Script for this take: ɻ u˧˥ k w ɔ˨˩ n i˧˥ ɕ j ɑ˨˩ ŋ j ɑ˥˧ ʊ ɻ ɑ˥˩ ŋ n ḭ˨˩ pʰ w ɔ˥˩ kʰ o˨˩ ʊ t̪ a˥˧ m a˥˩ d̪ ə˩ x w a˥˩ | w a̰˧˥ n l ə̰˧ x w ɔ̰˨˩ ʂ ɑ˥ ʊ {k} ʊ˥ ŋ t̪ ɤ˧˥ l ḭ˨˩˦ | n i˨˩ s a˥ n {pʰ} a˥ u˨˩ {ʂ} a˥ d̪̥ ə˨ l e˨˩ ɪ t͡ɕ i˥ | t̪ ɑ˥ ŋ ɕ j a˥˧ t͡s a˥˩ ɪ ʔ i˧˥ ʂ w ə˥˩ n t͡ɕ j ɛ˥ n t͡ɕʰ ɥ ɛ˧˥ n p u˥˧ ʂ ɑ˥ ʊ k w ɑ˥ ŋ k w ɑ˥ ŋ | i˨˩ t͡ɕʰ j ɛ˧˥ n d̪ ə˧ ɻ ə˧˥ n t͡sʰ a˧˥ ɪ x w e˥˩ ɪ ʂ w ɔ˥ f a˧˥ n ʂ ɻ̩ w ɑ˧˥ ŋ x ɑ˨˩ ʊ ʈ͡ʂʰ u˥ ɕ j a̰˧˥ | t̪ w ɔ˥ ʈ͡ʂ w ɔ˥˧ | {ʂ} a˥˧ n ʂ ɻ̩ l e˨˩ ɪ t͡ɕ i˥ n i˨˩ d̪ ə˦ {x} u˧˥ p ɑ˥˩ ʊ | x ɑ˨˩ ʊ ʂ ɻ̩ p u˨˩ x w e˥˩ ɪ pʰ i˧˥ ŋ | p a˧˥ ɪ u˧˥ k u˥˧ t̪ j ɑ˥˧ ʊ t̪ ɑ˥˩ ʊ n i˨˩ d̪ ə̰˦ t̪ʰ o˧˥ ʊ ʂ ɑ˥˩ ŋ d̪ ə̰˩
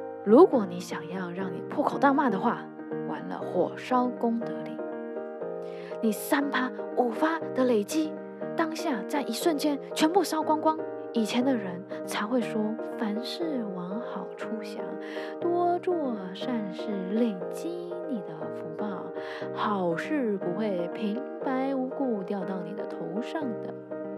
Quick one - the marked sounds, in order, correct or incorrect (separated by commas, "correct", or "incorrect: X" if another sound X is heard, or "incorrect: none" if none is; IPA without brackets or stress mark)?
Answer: correct, correct, incorrect: f, correct, incorrect: f